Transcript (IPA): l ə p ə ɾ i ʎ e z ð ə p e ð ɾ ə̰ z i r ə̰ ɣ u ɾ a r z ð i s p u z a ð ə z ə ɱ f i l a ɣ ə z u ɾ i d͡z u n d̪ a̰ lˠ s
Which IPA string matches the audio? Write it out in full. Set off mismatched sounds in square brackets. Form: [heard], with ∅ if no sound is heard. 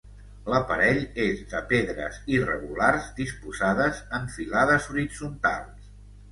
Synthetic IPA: l ə p ə ɾ [ɛ] ʎ e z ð ə p e ð ɾ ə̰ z i r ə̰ ɣ u [l] a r z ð i s p u z a ð ə z ə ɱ f i l a [ð] ə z u ɾ i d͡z u n [t̪] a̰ lˠ s